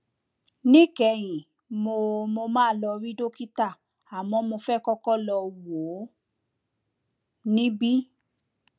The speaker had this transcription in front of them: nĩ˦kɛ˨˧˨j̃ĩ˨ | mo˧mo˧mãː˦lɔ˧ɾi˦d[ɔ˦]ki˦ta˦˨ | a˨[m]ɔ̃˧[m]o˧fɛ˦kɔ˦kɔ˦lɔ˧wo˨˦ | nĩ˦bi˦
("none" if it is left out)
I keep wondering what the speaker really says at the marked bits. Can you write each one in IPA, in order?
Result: o˦, m, m

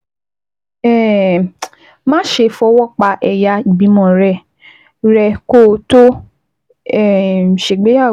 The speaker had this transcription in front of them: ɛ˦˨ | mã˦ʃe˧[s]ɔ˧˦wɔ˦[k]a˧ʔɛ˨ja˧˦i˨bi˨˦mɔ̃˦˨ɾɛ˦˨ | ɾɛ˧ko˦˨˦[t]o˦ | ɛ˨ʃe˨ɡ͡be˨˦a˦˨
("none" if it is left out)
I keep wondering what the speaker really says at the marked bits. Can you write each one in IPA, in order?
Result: f, k͡p, t

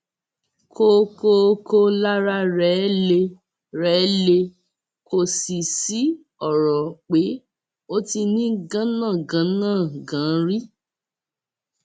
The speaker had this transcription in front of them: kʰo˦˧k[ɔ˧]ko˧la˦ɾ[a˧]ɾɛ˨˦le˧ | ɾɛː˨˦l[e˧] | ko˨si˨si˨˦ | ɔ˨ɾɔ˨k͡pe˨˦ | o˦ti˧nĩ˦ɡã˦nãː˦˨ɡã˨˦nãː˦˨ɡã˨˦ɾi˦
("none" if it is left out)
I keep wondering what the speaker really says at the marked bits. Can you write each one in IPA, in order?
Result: o˧, a˧, e˧

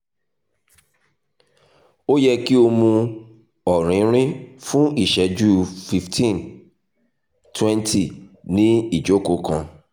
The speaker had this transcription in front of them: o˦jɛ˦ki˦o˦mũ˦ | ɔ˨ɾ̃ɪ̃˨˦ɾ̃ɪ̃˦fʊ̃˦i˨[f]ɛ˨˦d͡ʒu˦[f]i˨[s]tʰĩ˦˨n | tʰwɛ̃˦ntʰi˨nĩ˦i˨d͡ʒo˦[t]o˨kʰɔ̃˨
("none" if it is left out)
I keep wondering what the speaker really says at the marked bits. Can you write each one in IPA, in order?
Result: ʃ, f, f, k

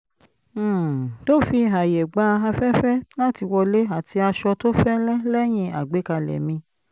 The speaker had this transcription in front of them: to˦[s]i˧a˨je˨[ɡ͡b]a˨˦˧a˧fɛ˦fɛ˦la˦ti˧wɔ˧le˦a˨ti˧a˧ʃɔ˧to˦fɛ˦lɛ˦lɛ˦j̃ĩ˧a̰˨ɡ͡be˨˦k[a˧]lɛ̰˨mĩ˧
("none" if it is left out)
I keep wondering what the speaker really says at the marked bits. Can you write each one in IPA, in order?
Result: f, ɡ͡b, a˧

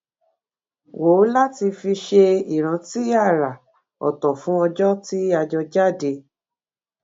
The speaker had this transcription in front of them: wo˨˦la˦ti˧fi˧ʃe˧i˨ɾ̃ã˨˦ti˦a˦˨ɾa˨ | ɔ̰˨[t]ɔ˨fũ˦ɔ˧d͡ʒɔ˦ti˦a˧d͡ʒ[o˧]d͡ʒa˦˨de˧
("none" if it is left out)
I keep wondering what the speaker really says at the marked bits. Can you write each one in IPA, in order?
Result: t, ɔ˧

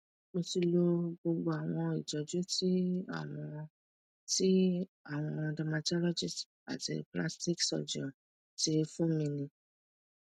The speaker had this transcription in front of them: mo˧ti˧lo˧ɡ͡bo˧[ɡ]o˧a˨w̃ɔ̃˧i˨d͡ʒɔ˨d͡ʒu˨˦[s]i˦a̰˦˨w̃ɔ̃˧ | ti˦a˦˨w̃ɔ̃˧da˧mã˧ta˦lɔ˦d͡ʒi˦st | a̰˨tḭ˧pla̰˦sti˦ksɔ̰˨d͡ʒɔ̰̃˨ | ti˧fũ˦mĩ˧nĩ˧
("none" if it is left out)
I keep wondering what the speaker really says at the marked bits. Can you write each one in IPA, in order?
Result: ɡ͡b, t

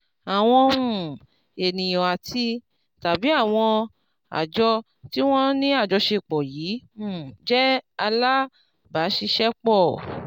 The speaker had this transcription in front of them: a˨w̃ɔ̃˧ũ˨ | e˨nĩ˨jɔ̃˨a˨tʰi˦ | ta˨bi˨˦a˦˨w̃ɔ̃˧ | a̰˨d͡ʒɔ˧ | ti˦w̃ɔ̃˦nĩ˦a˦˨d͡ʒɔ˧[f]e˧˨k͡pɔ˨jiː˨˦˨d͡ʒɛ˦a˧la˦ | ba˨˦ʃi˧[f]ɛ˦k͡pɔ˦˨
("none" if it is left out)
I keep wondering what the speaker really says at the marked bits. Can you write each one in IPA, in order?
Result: ʃ, ʃ

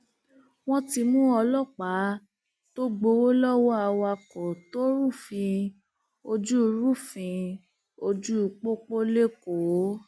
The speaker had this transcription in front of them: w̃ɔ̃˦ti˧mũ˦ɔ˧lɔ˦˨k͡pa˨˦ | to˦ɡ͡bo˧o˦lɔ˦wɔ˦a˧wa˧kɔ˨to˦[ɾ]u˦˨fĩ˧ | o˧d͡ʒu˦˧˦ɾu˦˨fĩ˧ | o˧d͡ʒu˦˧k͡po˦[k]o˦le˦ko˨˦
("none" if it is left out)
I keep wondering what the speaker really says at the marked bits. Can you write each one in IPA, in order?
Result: ɾ, k͡p

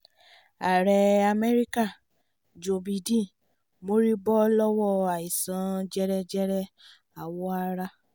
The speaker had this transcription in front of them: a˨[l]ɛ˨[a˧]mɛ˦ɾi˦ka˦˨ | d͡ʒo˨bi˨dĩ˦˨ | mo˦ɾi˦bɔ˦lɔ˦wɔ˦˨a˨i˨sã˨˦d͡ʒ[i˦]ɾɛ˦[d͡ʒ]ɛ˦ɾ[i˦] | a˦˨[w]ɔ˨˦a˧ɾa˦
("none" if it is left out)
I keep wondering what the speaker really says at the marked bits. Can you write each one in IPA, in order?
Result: ɾ, a˧, ɛ˦, d͡ʒ, ɛ˦, w

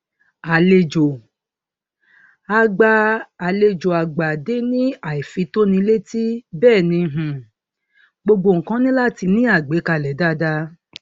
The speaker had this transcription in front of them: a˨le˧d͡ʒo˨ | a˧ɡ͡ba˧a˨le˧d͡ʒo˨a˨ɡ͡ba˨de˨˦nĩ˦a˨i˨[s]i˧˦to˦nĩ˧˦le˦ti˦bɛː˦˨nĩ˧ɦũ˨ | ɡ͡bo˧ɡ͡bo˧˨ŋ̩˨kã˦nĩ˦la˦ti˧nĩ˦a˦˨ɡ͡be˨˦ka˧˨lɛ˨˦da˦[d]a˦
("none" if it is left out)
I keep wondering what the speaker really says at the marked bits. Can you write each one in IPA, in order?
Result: f, d

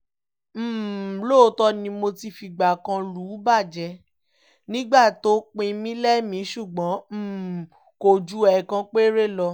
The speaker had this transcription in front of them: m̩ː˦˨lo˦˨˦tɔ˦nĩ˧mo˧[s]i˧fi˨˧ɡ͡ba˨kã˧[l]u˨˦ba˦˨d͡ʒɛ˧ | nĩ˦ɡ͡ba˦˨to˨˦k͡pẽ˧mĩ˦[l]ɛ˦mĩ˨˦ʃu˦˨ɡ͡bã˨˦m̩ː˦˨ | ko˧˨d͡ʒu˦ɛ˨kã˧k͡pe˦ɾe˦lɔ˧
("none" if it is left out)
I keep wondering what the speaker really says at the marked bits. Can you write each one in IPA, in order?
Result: t, l, l

